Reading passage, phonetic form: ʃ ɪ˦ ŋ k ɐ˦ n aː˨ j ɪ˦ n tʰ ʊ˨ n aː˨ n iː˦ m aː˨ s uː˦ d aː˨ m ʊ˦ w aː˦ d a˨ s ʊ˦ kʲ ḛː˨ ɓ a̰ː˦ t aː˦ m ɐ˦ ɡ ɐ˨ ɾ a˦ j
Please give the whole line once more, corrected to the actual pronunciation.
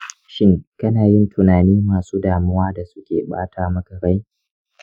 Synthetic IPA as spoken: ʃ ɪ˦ ŋ k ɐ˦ n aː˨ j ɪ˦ n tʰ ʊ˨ n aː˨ n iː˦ m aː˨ s uː˦ d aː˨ m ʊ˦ w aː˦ d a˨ s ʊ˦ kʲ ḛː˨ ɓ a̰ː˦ t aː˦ m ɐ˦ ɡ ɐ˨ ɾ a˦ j

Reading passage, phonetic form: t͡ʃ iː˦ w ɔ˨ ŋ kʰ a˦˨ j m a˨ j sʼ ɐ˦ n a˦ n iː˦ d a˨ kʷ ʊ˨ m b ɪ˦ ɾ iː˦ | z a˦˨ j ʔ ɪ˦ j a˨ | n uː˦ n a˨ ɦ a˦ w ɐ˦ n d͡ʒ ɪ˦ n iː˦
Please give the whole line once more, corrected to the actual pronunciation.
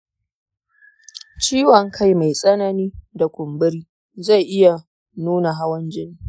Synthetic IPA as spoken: t͡ʃ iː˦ w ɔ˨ ŋ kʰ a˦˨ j m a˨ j sʼ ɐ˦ n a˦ n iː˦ d a˨ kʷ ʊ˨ m b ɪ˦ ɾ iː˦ | z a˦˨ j ʔ ɪ˦ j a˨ | n uː˦ n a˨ ɦ a˦ w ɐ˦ n d͡ʒ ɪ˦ n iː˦

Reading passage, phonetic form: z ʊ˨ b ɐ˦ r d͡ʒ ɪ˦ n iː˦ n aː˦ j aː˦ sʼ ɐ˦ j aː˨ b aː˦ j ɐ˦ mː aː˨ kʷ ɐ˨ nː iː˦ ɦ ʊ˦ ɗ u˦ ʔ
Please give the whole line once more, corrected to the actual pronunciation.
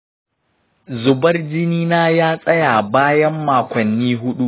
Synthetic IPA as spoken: z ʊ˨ b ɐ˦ r d͡ʒ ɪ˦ n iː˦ n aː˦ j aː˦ sʼ ɐ˦ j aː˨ b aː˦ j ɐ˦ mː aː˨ kʷ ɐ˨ nː iː˦ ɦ ʊ˦ ɗ u˦ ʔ

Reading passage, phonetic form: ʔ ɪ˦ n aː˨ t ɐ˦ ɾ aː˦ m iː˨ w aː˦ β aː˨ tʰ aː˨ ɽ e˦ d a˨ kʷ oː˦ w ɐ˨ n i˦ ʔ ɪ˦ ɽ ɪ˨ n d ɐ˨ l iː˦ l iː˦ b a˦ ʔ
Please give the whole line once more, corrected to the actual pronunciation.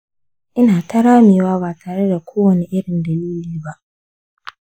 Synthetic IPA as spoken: ʔ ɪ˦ n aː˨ t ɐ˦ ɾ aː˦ m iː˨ w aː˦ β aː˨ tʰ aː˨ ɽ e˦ d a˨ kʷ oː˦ w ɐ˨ n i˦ ʔ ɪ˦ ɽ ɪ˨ n d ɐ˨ l iː˦ l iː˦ b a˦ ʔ

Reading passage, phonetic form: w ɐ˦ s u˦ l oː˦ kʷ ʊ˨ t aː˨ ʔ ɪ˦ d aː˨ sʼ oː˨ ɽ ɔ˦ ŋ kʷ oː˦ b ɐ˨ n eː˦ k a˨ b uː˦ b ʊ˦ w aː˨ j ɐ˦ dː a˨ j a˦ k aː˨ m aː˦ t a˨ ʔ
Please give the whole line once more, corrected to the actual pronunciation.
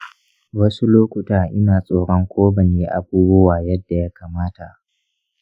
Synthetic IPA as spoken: w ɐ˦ s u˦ l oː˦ kʷ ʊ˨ t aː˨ ʔ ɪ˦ n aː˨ sʼ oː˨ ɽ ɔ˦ ŋ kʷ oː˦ b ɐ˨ n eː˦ ʔ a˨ b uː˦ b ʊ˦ w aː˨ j ɐ˦ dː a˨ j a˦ k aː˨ m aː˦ t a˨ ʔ

